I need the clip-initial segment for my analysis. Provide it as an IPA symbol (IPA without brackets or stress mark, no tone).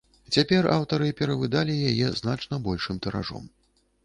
t͡sʲ